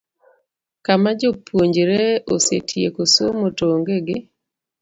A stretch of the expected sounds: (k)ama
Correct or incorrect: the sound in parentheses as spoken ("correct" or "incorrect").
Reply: correct